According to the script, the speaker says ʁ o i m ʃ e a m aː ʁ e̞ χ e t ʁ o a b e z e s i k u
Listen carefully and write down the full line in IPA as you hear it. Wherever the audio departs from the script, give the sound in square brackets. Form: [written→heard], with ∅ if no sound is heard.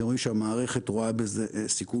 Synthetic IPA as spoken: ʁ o i m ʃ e a m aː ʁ e̞ χ e t ʁ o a b e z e s i k u